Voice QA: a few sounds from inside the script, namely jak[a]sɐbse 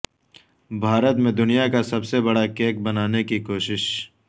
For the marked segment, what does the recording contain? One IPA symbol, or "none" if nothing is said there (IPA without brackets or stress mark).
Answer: a